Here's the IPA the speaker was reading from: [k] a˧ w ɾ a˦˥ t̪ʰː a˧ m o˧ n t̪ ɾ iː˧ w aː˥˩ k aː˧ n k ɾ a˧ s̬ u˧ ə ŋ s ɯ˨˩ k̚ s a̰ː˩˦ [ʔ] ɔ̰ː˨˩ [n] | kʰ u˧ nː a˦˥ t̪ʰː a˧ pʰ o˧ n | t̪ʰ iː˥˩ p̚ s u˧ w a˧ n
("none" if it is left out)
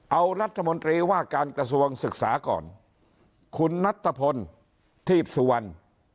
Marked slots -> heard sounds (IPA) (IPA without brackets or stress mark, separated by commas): ʔ, k, n